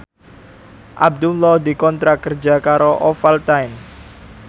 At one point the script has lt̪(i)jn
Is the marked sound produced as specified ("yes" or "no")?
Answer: no